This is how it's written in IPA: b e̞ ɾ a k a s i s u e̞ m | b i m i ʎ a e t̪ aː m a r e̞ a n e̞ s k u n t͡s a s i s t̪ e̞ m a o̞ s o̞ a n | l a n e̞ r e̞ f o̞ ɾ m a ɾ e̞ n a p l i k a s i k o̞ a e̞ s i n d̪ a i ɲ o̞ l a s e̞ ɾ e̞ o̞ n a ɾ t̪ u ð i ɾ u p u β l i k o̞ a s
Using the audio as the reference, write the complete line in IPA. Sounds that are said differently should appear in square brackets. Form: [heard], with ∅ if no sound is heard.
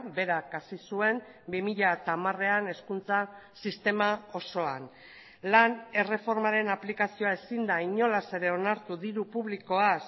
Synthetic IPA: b e̞ ɾ a k a s i s u e̞ m | b i m i ʎ a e t̪ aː m a r e̞ a n e̞ s k u n t͡s a s i s t̪ e̞ m a o̞ s o̞ a n | l a n e̞ r e̞ f o̞ ɾ m a ɾ e̞ n a p l i k a s i [∅] o̞ a e̞ s i n d̪ a i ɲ o̞ l a s e̞ ɾ e̞ o̞ n a ɾ t̪ u ð i ɾ u p u β l i k o̞ a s

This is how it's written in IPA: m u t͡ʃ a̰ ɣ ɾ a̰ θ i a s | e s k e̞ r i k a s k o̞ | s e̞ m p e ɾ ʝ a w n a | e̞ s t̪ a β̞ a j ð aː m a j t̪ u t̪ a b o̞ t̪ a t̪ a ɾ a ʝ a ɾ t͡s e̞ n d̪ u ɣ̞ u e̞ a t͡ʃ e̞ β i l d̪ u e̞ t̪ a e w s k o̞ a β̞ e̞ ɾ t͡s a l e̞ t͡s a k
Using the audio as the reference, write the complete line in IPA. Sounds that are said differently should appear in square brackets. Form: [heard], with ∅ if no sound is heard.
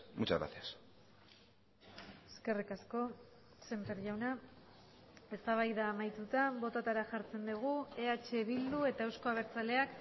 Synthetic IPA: m u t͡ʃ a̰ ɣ ɾ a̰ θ i a s | e s k e̞ r i k a s k o̞ | s e̞ m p e ɾ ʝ a w n a | e̞ s t̪ a β̞ a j ð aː m a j t̪ u t̪ a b o̞ t̪ a t̪ a ɾ a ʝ a ɾ t͡s e̞ n d̪ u ɣ̞ u e̞ a t͡ʃ e̞ β i l d̪ u e̞ t̪ a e w s k o̞ a β̞ e̞ ɾ t͡s a l e̞ [∅] a k

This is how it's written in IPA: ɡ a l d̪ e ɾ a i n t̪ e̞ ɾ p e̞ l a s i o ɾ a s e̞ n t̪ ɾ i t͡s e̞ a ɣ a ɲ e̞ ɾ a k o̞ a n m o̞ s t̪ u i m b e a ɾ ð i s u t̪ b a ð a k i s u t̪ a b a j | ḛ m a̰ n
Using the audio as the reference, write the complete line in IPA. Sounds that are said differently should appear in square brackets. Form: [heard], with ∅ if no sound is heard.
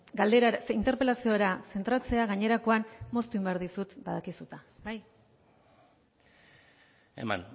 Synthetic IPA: ɡ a l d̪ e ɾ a i n t̪ e̞ ɾ p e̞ l a s i o ɾ a s e̞ n t̪ ɾ [a] t͡s e̞ a ɣ a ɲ e̞ ɾ a k o̞ a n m o̞ s t̪ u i m b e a ɾ ð i s u t̪ b a ð a k i s u t̪ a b a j | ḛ m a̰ n

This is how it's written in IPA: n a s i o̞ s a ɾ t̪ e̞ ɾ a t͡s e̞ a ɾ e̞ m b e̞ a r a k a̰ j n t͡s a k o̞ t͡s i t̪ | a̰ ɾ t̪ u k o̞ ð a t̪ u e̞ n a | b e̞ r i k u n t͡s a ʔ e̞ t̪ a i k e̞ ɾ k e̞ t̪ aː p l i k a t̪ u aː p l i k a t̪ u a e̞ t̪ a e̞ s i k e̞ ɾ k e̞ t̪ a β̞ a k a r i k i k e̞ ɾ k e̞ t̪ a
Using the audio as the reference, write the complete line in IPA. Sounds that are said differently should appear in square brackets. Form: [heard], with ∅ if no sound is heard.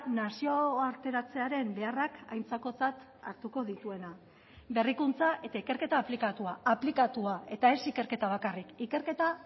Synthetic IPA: n a s i o̞ [∅] a ɾ t̪ e̞ ɾ a t͡s e̞ a ɾ e̞ m b e̞ a r a k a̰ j n t͡s a k o̞ t͡s [a] t̪ | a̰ ɾ t̪ u k o̞ ð [i] t̪ u e̞ n a | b e̞ r i k u n t͡s a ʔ e̞ t̪ a i k e̞ ɾ k e̞ t̪ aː p l i k a t̪ u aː p l i k a t̪ u a e̞ t̪ a e̞ s i k e̞ ɾ k e̞ t̪ a β̞ a k a r i k i k e̞ ɾ k e̞ t̪ a

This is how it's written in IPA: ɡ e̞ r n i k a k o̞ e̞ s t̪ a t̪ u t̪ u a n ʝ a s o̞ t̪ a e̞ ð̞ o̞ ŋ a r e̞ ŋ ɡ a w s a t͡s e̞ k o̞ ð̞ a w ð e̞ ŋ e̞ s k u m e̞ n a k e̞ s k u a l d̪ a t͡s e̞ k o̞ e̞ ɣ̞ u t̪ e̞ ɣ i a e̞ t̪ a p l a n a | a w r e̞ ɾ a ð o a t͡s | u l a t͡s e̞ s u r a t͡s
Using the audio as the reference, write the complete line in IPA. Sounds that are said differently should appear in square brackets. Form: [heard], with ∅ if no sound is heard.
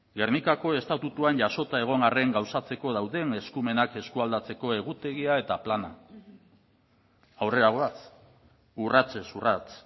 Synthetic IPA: ɡ e̞ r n i k a k o̞ e̞ s t̪ a t̪ u t̪ u a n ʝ a s o̞ t̪ a e̞ [ɣ̞] o̞ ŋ a r e̞ ŋ ɡ a w s a t͡s e̞ k o̞ ð̞ a w ð e̞ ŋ e̞ s k u m e̞ n a k e̞ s k u a l d̪ a t͡s e̞ k o̞ e̞ ɣ̞ u t̪ e̞ ɣ i a e̞ t̪ a p l a n a | a w r e̞ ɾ a [ɣ] o a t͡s | u [r] a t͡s e̞ s u r a t͡s

